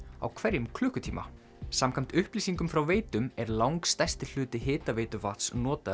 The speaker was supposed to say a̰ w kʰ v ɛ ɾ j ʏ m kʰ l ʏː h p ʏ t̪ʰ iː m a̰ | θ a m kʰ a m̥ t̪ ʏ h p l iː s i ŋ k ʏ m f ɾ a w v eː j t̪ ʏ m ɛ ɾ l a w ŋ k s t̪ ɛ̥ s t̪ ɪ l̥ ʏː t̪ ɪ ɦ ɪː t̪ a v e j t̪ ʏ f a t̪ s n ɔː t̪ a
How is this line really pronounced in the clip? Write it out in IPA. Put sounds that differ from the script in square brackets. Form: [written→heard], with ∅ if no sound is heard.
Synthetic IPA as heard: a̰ w kʰ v ɛ ɾ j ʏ m kʰ l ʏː h [p→k] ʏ t̪ʰ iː m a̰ | [θ→s] a m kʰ a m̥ t̪ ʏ h p l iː s i ŋ k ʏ m f ɾ a w v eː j t̪ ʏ m ɛ ɾ l a w ŋ k s t̪ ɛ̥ s t̪ ɪ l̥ ʏː t̪ ɪ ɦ ɪː t̪ a v e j t̪ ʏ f a t̪ s n ɔː t̪ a